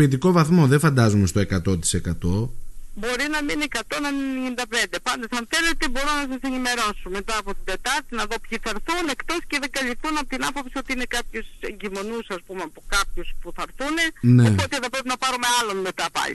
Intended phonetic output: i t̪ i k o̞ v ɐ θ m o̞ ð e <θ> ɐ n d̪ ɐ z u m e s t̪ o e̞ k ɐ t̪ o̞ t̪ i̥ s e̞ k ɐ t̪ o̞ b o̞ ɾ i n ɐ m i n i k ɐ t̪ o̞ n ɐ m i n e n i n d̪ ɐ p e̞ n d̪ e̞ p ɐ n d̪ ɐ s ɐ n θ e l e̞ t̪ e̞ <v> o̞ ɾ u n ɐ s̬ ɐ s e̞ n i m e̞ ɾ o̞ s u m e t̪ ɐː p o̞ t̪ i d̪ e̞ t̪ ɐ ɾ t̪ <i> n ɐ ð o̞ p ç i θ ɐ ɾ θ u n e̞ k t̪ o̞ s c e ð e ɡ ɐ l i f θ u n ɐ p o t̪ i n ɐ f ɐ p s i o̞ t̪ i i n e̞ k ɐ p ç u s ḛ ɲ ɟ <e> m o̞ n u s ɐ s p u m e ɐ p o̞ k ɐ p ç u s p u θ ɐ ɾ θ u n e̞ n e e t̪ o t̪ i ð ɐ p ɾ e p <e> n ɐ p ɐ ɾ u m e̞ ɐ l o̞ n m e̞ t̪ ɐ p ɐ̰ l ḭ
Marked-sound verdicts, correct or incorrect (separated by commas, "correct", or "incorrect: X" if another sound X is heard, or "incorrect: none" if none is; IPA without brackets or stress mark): incorrect: f, incorrect: b, correct, incorrect: i, incorrect: i